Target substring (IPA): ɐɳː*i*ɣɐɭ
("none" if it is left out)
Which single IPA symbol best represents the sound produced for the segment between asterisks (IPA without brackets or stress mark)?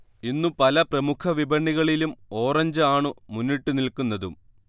i